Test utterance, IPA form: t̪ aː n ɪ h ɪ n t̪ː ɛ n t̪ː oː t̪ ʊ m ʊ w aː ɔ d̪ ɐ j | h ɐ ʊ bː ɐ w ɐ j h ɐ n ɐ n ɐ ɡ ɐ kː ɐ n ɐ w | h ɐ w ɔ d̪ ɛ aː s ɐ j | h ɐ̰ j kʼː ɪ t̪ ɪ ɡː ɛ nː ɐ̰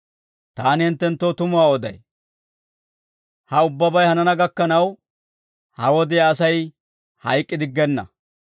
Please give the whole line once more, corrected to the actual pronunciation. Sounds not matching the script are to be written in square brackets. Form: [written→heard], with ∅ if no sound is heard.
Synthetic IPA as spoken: t̪ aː n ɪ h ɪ n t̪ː ɛ n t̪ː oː t̪ ʊ m ʊ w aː ɔ d̪ ɐ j | h ɐ ʊ bː ɐ [w→b] ɐ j h ɐ n ɐ n ɐ ɡ ɐ kː ɐ n ɐ w | h ɐ w ɔ d̪ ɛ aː s ɐ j | h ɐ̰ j kʼː ɪ [t̪→d̪] ɪ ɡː ɛ nː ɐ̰